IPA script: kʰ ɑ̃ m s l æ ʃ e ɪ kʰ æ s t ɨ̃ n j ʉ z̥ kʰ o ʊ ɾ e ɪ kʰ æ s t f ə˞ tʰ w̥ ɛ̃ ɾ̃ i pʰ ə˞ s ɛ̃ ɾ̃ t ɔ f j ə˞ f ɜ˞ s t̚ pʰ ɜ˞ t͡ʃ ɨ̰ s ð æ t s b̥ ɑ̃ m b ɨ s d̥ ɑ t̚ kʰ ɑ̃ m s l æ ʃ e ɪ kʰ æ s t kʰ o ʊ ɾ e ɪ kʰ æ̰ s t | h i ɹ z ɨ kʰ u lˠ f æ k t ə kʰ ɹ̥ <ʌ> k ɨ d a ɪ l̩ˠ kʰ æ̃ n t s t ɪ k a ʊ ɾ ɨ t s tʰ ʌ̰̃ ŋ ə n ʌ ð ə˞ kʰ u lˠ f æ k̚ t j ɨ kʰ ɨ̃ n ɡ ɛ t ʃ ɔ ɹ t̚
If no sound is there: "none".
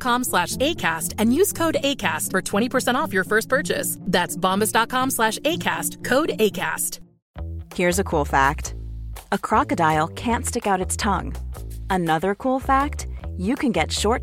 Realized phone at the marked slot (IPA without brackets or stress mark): ɑ